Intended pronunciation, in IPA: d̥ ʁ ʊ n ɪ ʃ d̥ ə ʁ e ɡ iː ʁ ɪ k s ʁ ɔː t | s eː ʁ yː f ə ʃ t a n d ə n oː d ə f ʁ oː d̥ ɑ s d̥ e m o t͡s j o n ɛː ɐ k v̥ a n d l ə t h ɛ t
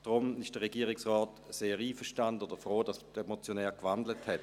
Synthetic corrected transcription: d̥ ʁ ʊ m ɪ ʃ d̥ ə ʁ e ɡ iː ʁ ɪ k s ʁ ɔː t | s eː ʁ iː f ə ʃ t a n d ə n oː d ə f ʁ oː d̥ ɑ s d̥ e m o t͡s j o n ɛː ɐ k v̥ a n d l ə t h ɛ t